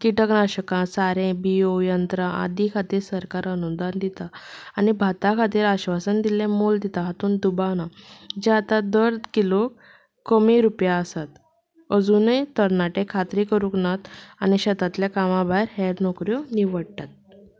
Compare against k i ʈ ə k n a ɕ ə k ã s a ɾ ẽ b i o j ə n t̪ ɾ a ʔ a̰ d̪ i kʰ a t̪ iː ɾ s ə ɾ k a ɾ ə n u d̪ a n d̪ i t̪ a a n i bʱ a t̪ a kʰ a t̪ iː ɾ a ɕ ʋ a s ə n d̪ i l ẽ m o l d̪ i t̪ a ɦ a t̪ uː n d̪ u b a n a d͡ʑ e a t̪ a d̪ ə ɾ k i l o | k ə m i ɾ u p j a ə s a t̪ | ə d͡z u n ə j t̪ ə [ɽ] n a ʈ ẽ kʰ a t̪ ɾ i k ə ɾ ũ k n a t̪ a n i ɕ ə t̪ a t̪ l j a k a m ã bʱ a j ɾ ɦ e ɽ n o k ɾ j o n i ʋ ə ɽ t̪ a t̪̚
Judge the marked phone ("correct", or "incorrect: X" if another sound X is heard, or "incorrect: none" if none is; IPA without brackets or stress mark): incorrect: ɾ